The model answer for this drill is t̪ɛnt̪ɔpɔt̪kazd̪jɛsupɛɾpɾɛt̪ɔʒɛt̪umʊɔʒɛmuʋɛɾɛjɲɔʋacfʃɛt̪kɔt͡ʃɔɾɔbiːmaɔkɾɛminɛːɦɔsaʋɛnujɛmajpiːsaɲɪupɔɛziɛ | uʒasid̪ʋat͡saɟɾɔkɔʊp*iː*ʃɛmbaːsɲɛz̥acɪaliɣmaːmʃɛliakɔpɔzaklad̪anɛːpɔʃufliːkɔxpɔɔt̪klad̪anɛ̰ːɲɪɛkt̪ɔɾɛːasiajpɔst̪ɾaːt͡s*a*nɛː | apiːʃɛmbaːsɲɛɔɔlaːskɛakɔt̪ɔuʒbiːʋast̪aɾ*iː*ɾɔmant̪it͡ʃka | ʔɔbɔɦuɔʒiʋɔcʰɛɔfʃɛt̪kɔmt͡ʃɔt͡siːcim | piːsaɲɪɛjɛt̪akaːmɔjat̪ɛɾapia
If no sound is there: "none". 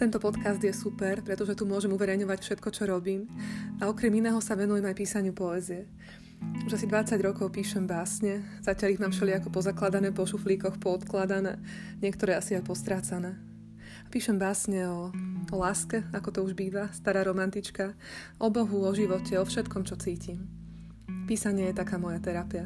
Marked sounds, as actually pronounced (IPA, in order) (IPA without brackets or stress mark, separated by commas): iː, a, aː